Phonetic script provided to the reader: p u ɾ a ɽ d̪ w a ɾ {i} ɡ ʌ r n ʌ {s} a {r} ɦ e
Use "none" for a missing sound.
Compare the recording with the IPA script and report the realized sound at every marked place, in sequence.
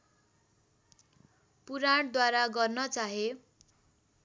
a, t͡s, none

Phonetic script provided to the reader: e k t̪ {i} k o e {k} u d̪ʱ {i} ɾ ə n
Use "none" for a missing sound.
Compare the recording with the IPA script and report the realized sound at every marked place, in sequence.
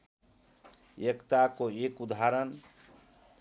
a, k, a

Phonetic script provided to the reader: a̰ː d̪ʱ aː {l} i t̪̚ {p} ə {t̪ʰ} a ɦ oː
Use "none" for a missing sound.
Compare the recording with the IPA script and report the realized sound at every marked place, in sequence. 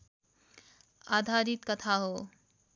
ɾ, k, t̪ʰ

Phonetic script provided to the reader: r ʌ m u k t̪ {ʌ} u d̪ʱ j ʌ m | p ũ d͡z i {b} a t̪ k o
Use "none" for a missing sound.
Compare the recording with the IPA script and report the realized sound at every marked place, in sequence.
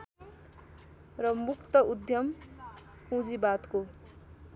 ʌ, b

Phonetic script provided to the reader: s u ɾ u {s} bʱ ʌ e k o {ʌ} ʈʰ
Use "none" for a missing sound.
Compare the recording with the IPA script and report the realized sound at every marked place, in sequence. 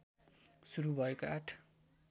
none, a

